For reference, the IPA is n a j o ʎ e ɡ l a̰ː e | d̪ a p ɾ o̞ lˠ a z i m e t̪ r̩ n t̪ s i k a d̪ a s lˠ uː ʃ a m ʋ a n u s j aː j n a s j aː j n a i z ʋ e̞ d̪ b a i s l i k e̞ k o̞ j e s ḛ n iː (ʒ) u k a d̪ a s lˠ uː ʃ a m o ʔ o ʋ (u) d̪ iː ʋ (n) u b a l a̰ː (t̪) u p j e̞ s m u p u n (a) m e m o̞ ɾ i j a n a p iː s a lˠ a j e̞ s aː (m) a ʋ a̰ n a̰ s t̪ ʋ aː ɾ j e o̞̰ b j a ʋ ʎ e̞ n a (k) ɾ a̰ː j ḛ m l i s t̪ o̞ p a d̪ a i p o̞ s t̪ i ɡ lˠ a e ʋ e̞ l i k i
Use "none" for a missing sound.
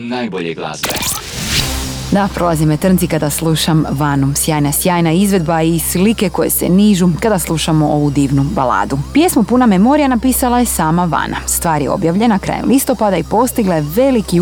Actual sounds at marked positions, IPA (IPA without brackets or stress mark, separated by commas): ʒ, u, n, d̪, a, m, k